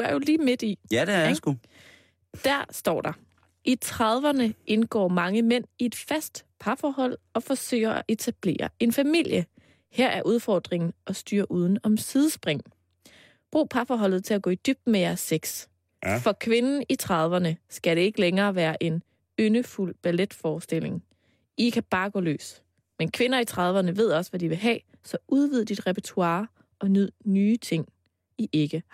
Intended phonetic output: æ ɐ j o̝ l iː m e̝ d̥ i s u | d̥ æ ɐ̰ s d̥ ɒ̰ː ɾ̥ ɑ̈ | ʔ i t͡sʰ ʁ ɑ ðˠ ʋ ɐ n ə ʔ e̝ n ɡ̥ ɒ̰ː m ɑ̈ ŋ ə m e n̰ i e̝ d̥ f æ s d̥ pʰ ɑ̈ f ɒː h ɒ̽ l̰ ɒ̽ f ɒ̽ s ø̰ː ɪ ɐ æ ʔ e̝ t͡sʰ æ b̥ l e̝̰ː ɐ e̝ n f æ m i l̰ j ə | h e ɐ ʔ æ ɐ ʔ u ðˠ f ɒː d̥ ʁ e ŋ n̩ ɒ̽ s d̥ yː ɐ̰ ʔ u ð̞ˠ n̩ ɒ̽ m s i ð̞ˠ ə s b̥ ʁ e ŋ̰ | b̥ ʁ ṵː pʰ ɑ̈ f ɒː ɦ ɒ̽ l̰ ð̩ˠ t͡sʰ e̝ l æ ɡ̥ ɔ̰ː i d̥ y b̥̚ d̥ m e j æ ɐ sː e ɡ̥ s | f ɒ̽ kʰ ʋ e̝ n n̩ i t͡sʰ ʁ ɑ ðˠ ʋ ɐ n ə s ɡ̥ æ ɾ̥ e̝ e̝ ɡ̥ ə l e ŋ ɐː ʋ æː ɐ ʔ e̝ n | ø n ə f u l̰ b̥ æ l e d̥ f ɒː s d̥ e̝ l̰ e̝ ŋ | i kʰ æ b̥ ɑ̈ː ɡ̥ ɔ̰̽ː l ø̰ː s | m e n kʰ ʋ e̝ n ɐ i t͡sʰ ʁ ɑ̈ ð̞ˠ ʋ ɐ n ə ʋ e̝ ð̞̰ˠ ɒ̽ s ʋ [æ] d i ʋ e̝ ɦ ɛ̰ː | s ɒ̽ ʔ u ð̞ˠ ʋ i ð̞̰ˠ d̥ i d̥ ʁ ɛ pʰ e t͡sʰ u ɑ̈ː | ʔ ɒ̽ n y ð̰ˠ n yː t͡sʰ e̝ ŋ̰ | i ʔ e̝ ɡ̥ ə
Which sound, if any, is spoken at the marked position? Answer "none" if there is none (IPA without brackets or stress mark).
æ